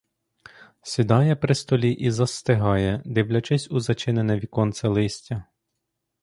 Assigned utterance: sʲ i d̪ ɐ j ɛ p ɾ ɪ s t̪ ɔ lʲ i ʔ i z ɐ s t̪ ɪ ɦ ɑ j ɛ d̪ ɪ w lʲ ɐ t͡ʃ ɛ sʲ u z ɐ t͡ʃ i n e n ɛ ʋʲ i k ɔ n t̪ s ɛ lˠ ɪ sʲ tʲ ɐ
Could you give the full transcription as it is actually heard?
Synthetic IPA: sʲ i d̪ ɑ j ɛ p ɾ ɪ s t̪ ɔ lʲ i ʔ i z ɐ s t̪ ɪ ɦ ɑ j ɛ d̪ ɪ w lʲ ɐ t͡ʃ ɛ sʲ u z ɐ t͡ʃ ɪ n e n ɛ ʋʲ i k ɔ n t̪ s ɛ lˠ ɪ sʲ tʲ ɐ